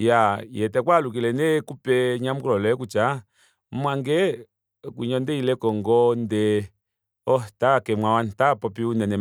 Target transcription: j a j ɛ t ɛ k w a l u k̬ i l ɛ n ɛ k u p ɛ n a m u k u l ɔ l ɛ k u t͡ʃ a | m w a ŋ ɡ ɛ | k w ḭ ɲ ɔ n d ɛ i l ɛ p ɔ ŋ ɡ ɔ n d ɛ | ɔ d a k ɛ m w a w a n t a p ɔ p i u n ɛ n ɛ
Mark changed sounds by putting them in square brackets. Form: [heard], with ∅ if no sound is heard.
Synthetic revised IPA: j a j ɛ t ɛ k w a l u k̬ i l ɛ n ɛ k u p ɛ [ɲ] a m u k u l ɔ l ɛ k u t͡ʃ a | m w a ŋ ɡ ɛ | k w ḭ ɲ ɔ n d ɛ i l ɛ [k] ɔ ŋ ɡ ɔ n d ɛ | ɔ [t] a k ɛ m w a w a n t a p ɔ p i u n ɛ n ɛ